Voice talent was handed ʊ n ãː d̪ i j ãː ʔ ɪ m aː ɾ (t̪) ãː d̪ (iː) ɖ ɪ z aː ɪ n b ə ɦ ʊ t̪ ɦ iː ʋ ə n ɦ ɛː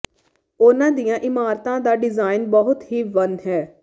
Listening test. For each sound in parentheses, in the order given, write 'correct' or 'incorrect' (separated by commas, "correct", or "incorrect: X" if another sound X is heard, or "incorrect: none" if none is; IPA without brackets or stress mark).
correct, incorrect: aː